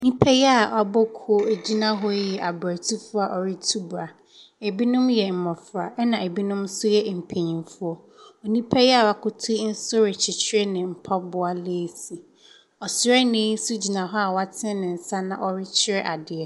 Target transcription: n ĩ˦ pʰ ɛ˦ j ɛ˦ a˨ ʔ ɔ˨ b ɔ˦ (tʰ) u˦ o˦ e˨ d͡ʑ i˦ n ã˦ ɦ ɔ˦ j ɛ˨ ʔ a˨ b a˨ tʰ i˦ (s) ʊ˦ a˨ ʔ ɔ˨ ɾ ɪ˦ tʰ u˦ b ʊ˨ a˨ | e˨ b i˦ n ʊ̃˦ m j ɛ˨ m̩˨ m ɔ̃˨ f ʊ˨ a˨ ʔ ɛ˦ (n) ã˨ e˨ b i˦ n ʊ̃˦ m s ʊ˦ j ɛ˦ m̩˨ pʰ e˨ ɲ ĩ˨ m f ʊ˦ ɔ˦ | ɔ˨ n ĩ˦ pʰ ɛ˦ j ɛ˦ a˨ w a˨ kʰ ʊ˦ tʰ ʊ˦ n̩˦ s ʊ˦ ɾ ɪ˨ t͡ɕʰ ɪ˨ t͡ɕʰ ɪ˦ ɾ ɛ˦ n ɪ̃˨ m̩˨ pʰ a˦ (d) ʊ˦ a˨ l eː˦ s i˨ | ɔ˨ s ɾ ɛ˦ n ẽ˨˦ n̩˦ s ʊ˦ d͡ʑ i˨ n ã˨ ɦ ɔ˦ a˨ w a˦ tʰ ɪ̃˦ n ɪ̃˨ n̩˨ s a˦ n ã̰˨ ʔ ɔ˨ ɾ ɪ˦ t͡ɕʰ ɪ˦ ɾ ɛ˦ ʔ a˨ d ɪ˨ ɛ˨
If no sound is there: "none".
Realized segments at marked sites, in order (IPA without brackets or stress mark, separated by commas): kʰ, f, n, b